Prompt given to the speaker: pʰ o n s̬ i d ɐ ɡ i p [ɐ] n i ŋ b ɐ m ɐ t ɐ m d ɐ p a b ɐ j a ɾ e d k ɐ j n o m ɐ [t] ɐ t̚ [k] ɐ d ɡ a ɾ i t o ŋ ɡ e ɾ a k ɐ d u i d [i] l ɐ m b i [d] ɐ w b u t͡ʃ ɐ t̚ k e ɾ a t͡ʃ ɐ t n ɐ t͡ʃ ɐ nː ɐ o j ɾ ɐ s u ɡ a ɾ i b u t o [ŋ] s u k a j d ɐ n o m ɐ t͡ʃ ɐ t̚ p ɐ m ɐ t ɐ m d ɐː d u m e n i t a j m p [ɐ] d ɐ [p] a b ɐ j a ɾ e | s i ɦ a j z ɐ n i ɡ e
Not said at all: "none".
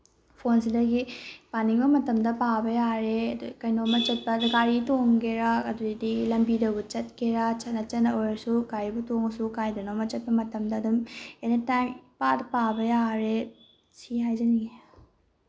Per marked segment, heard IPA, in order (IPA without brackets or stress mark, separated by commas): a, t͡ʃ, p, i, d, ŋ, a, p